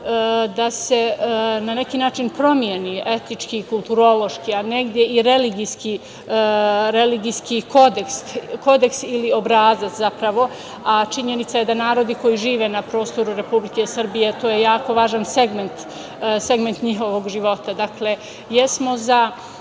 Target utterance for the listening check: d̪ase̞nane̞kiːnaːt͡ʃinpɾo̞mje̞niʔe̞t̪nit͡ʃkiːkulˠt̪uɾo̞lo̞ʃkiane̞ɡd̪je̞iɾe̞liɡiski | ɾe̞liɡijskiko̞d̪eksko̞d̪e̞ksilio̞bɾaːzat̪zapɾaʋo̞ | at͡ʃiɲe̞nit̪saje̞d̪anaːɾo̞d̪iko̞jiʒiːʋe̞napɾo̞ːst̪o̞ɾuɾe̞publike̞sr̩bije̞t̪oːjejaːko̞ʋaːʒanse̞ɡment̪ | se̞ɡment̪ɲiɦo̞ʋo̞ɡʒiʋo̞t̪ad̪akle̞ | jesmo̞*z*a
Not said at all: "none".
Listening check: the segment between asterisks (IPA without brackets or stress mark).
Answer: z